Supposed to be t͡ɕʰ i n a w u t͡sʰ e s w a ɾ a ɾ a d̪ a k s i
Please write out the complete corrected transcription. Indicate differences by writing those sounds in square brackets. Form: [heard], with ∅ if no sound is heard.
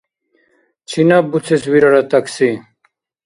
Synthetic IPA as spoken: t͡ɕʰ i n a [b] u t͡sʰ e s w [i] ɾ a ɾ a [t̪] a k s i